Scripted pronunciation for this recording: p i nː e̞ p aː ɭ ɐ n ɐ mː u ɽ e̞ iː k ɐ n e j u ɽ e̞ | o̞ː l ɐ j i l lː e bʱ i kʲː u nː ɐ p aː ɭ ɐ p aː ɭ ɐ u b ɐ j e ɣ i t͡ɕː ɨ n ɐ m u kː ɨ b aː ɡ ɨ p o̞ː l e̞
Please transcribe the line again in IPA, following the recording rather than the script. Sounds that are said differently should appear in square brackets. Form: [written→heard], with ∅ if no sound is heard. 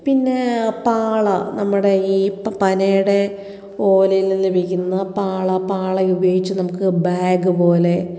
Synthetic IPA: p i nː e̞ p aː ɭ ɐ n ɐ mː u ɽ e̞ iː [k→p] ɐ n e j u ɽ e̞ | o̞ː l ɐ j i l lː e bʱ i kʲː u nː ɐ p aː ɭ ɐ p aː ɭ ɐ u b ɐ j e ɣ i t͡ɕː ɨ n ɐ m u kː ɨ b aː ɡ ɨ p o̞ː l e̞